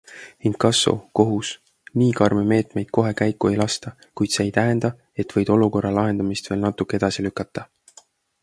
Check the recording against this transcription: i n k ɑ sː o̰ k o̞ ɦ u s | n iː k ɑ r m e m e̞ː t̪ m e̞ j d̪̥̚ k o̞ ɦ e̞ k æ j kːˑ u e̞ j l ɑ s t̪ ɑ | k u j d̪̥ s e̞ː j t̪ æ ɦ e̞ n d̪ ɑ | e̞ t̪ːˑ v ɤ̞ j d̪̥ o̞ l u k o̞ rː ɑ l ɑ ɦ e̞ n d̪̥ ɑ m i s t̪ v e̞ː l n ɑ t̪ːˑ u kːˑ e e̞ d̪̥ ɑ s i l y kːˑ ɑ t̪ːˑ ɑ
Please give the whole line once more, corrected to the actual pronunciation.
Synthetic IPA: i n k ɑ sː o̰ k o̞ ɦ u s | n iː k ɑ r m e m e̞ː t̪ m e̞ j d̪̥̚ k o̞ ɦ e̞ k æ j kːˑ u e̞ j l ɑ s t̪ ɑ | k u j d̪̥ s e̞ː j t̪ æ ɦ e̞ n d̪ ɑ | e̞ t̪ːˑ v ɤ̞ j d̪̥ o̞ l u k o̞ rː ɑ l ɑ ɦ e̞ n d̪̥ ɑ m i s t̪ v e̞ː l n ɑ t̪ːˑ u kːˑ e e̞ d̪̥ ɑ s i l y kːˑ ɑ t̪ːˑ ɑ